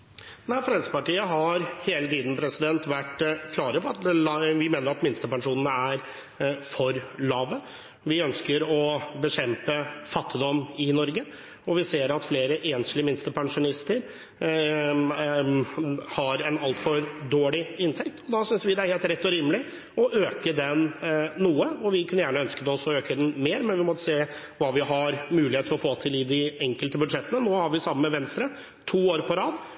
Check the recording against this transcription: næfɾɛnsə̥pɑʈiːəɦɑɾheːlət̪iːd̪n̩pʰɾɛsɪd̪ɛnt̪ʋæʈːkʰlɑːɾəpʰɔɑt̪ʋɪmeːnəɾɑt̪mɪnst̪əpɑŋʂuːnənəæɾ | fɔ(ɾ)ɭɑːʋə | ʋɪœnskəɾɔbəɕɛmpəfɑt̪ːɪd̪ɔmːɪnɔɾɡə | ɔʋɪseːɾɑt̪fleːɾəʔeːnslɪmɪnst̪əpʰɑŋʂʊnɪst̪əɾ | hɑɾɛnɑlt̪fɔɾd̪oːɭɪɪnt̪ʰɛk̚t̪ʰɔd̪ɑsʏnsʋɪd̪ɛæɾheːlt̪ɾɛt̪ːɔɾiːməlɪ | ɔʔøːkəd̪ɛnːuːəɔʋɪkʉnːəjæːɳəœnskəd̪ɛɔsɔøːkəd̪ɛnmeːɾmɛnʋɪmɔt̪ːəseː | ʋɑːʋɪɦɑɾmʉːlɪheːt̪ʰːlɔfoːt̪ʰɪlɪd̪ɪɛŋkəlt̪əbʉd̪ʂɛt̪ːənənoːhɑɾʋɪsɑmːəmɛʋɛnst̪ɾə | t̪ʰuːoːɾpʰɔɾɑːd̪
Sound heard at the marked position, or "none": ɾ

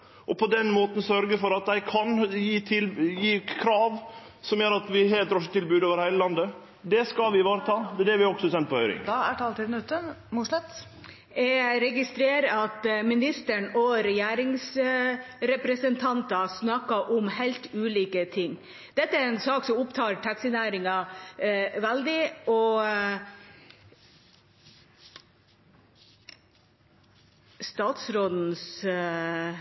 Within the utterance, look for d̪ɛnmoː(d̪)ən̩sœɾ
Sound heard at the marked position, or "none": t̪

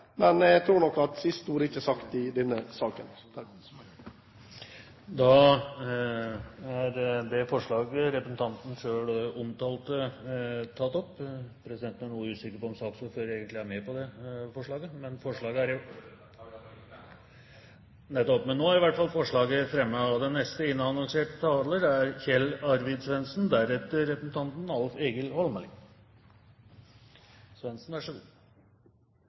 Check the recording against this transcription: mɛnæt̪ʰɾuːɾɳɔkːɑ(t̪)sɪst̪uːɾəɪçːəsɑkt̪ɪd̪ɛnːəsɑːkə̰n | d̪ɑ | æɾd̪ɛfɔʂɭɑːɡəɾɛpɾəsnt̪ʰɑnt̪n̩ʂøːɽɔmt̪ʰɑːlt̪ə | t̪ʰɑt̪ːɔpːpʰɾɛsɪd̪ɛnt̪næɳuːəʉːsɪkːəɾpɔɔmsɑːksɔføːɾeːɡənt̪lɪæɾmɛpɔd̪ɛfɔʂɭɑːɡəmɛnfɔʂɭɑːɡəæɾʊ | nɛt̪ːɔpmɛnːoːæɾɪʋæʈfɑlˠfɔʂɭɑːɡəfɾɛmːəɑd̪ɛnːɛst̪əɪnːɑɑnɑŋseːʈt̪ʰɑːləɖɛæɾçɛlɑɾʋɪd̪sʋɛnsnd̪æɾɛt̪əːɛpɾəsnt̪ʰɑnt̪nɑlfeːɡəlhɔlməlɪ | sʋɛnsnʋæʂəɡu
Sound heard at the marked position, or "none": t̪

